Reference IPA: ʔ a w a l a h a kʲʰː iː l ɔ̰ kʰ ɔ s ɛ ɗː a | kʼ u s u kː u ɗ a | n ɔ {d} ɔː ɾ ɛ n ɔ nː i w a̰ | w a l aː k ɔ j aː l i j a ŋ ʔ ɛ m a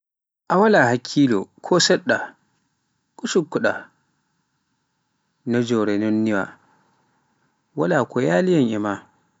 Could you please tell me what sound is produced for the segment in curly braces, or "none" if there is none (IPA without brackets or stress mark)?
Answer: d͡ʒ